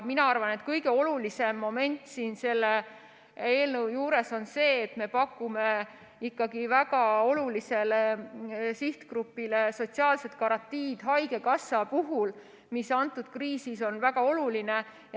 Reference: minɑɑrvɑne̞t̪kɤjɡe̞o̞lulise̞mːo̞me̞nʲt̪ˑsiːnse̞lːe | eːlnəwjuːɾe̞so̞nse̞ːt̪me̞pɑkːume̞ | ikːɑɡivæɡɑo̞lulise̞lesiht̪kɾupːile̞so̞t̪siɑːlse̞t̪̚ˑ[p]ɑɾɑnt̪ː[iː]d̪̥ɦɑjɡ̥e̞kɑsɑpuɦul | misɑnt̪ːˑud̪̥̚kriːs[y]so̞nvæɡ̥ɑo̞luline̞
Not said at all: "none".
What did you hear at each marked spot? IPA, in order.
k, iː, i

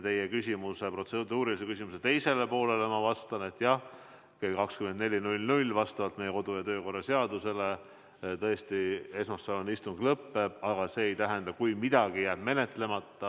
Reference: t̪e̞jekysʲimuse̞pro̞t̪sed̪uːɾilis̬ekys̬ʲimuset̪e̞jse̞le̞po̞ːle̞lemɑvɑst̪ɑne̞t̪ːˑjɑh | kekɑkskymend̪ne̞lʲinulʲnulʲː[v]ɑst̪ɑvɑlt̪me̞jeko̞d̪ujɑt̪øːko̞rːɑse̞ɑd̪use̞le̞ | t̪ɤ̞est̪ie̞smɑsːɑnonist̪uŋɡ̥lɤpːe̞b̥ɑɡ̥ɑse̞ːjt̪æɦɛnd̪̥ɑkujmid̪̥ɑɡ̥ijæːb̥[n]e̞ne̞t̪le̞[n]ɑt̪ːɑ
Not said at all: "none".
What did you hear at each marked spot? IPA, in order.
v, m, m

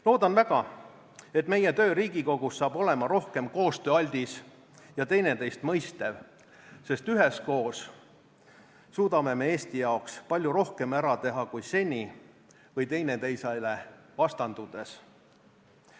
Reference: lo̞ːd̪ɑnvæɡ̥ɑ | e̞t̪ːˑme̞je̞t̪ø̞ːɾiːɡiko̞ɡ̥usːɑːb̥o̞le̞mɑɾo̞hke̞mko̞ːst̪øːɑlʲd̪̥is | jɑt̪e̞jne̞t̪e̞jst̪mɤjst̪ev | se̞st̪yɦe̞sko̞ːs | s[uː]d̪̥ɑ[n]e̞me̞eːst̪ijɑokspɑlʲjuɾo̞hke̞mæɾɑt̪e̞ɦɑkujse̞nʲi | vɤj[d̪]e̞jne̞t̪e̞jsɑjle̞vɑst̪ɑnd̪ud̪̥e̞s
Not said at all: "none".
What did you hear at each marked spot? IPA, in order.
uː, m, t̪

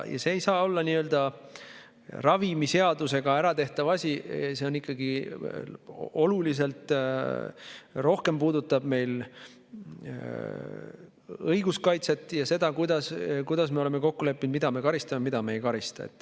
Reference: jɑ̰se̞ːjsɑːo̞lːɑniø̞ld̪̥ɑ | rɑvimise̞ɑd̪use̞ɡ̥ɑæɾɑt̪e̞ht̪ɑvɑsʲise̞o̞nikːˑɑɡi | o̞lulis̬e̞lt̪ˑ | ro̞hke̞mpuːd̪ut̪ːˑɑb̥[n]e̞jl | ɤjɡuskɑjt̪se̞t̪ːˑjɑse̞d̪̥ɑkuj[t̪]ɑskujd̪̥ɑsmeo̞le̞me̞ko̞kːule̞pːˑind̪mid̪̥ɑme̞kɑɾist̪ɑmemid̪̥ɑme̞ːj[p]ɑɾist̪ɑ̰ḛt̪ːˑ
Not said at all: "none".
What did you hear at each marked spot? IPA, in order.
m, d̪, k

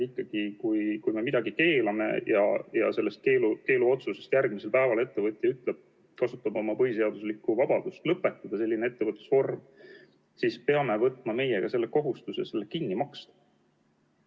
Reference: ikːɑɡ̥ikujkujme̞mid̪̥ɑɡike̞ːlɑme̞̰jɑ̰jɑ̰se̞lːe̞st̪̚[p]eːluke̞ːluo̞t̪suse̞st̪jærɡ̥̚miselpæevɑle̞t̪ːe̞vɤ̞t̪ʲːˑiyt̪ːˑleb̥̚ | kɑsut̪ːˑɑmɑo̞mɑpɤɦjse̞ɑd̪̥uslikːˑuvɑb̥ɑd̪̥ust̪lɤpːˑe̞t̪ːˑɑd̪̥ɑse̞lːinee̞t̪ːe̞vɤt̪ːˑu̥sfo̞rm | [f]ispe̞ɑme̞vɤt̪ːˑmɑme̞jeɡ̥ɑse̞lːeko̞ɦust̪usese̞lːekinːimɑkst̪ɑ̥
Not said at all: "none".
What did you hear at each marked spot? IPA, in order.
k, s

